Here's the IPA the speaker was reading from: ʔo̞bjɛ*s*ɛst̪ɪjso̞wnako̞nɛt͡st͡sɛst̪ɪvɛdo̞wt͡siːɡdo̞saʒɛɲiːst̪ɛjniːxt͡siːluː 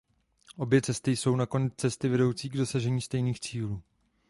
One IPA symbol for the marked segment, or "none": t͡s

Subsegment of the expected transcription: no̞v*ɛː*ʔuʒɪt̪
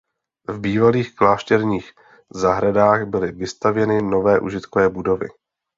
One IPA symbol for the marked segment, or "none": ɛː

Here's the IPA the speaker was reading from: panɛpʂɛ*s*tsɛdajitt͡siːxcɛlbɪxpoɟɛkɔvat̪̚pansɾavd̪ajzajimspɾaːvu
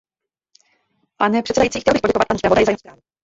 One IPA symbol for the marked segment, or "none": none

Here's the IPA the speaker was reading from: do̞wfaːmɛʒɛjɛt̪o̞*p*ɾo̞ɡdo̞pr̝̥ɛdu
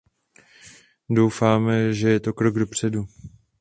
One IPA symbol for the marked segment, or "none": k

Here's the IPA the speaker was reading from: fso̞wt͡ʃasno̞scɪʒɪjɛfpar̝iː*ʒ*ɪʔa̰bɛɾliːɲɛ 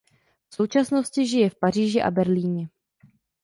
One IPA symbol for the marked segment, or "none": ʒ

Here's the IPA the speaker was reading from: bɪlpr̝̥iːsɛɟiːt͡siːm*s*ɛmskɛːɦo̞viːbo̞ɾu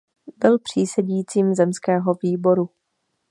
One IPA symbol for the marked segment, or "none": z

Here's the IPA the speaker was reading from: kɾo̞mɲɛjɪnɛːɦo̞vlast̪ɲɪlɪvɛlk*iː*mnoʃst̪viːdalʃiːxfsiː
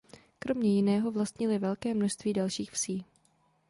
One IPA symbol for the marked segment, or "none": ɛː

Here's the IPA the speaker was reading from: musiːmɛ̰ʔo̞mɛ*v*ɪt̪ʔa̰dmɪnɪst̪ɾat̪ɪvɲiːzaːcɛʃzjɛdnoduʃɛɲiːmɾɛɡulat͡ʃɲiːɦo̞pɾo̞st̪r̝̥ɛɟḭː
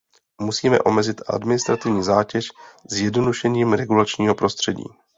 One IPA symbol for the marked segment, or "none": z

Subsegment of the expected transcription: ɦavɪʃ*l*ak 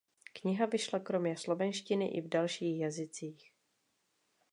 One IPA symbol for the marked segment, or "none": l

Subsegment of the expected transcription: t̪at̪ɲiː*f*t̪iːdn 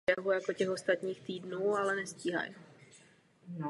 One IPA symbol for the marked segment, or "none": x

